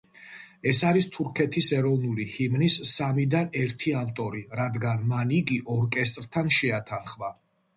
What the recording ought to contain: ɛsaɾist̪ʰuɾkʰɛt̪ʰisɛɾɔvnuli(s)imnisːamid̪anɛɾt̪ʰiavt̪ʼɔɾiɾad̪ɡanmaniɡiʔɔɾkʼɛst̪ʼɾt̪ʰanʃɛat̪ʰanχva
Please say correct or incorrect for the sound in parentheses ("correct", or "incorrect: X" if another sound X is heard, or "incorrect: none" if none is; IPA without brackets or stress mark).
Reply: incorrect: h